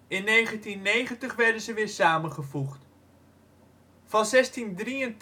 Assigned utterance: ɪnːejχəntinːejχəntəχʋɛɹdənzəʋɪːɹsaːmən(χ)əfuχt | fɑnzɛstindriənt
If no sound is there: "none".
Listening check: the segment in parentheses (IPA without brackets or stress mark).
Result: χ